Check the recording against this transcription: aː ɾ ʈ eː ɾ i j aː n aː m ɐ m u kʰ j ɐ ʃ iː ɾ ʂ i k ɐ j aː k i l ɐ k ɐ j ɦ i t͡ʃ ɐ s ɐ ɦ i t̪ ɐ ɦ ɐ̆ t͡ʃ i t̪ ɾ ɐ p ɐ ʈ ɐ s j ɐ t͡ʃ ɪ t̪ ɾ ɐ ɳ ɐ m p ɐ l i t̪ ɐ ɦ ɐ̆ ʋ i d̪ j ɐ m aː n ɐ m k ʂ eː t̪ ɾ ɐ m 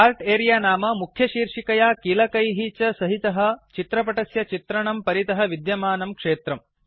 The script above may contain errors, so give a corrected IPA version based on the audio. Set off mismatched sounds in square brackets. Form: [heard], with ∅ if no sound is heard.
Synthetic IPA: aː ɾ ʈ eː ɾ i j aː n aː m ɐ m u kʰ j ɐ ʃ iː ɾ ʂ i k ɐ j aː k i l ɐ k ɐ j ɦ i t͡ʃ ɐ s ɐ ɦ i t̪ ɐ ɦ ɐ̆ t͡ʃ i t̪ ɾ ɐ p ɐ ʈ ɐ s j ɐ t͡ʃ [i] t̪ ɾ ɐ ɳ ɐ m p ɐ [ɾ] i t̪ ɐ ɦ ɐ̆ ʋ i d̪ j ɐ m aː n ɐ m k ʂ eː t̪ ɾ ɐ m